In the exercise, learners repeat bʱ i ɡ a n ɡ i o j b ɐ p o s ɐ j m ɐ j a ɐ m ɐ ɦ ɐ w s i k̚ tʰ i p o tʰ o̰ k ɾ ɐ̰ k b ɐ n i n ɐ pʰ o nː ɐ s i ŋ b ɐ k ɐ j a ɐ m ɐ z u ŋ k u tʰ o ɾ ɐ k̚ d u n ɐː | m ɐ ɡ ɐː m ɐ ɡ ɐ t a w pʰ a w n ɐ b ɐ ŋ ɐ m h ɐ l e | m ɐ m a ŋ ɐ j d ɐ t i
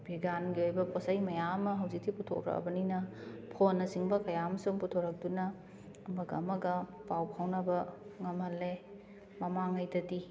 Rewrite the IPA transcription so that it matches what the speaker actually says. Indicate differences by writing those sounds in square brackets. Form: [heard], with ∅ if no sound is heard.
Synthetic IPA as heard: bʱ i ɡ a n ɡ i o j b ɐ p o s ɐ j m ɐ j a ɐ m ɐ ɦ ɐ w [z] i k̚ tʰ i p [u] tʰ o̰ k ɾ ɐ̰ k b ɐ n i n ɐ pʰ o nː ɐ s i ŋ b ɐ k ɐ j a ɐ m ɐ [s] u ŋ [p] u tʰ o ɾ ɐ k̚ d u n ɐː | m ɐ ɡ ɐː m ɐ ɡ ɐ [p] a w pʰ a w n ɐ b ɐ ŋ ɐ m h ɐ l e | m ɐ m a ŋ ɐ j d ɐ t i